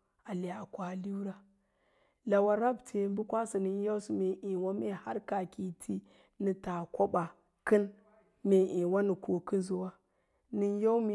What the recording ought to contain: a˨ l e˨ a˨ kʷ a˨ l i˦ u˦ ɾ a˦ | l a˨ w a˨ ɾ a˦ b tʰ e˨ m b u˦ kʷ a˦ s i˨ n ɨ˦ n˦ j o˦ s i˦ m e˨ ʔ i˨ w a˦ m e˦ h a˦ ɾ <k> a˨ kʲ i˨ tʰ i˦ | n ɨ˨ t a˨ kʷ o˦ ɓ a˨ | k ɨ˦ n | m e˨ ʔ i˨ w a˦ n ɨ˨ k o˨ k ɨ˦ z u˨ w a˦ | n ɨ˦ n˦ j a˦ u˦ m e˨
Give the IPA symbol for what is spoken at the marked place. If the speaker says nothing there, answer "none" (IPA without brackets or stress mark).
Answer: k